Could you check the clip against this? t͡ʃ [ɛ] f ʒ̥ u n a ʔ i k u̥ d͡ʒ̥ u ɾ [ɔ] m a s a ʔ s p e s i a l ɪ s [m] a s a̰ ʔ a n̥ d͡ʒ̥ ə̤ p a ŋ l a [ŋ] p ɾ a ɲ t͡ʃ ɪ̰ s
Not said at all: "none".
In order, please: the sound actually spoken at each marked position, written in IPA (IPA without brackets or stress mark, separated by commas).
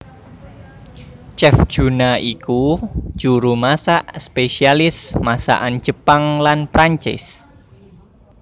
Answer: ɛ, u, m, n